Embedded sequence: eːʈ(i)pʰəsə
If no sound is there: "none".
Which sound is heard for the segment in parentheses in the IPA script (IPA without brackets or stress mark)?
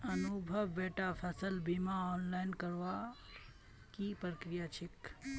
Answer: a